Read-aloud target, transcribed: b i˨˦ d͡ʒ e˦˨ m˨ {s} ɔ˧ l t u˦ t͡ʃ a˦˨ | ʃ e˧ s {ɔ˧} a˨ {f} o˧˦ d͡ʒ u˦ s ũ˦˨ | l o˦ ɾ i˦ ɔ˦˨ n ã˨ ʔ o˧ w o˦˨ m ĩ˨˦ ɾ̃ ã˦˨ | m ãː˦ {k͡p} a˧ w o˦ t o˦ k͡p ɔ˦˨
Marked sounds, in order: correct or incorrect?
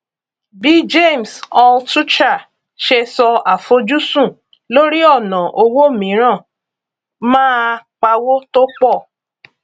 correct, correct, correct, correct

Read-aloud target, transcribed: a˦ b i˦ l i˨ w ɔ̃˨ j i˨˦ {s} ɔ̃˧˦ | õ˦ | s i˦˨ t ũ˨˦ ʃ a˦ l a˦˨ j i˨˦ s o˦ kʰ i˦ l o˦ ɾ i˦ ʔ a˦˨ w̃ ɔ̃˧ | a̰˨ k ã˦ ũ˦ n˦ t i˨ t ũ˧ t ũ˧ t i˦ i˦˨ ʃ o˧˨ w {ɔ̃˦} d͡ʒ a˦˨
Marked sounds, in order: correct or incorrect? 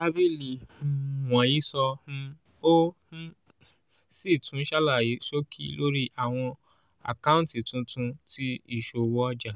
correct, incorrect

